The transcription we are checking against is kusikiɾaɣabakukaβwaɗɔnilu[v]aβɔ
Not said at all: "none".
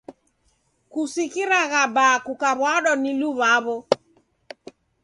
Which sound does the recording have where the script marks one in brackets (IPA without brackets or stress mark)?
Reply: β